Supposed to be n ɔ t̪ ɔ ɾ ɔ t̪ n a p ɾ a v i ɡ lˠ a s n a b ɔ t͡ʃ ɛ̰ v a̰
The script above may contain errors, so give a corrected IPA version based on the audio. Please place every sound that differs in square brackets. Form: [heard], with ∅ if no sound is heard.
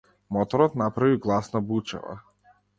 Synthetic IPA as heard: [m] ɔ t̪ ɔ ɾ ɔ t̪ n a p ɾ a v i ɡ lˠ a s n a b [u] t͡ʃ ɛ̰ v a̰